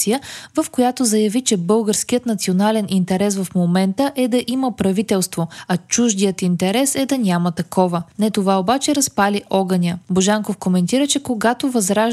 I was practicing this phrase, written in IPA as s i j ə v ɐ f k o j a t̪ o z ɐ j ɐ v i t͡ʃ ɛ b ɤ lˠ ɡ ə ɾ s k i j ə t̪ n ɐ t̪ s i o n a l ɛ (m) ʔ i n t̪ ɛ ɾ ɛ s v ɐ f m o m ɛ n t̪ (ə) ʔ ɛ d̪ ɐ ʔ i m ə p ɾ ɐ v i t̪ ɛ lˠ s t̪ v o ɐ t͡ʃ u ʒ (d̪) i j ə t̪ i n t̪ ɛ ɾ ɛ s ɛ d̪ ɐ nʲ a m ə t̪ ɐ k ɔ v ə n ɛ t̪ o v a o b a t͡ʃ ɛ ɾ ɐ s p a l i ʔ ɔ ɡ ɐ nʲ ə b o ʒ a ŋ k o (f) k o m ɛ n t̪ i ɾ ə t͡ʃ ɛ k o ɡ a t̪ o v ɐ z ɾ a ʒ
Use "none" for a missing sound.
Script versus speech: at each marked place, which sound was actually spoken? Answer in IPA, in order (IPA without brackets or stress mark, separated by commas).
n, ə, d̪, f